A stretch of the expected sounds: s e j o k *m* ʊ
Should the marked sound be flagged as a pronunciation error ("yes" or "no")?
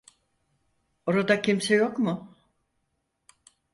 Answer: no